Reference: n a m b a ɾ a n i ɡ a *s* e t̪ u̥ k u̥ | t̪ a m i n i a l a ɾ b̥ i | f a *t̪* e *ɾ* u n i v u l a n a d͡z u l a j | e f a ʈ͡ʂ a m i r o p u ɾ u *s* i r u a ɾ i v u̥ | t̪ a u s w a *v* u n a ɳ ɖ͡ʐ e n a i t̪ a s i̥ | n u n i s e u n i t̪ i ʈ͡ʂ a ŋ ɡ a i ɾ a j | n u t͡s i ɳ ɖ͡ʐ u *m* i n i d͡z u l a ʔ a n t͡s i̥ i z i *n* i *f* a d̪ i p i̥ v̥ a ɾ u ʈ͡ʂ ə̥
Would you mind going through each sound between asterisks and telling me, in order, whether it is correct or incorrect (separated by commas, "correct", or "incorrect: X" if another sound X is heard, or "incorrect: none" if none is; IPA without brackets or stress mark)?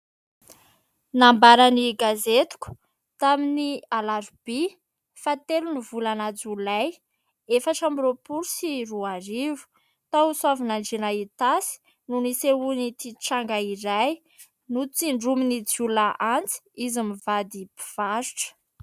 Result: incorrect: z, correct, incorrect: l, correct, correct, correct, incorrect: m, incorrect: v